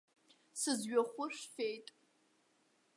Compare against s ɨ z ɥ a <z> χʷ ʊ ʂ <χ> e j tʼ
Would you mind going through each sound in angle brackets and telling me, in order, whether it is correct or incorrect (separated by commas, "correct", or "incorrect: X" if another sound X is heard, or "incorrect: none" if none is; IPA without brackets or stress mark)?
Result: incorrect: none, incorrect: f